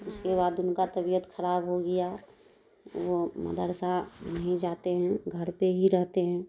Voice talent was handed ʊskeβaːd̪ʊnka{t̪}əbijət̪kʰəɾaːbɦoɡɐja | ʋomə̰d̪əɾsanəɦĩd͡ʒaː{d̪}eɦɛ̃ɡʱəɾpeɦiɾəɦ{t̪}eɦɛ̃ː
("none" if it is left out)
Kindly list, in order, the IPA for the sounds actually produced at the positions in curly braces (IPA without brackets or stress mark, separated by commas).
t̪, t̪, t̪